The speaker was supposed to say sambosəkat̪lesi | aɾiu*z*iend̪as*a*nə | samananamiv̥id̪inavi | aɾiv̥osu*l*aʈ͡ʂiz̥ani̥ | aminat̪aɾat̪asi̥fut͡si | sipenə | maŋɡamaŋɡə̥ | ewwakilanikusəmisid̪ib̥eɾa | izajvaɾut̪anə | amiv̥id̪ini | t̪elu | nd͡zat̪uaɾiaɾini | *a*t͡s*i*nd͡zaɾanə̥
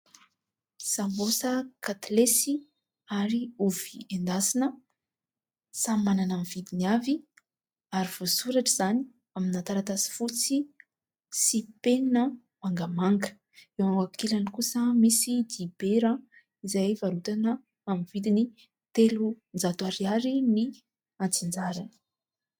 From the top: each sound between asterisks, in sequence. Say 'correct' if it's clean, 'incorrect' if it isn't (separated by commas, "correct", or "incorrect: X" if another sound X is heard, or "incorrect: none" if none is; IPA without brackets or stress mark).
incorrect: v, incorrect: i, incorrect: ɾ, correct, correct